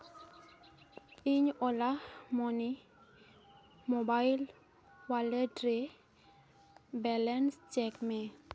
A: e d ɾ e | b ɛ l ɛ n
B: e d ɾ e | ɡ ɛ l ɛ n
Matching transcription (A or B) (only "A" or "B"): A